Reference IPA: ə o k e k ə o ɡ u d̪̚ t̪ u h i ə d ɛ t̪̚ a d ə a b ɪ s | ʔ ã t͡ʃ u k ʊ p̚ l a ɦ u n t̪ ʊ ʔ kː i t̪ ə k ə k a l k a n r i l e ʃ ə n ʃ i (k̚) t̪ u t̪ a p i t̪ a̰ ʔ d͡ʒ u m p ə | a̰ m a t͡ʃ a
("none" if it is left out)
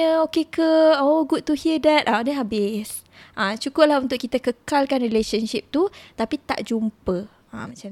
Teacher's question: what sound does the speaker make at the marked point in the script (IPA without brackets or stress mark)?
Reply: p̚